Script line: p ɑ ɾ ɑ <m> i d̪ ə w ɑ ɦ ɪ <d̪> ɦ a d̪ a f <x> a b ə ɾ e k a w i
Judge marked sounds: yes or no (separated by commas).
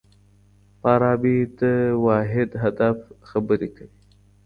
no, yes, yes